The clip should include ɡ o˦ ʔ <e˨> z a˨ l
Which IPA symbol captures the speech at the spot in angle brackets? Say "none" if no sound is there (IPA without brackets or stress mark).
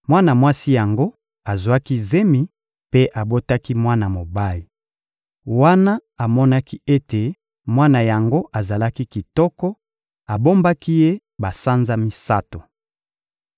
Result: a˨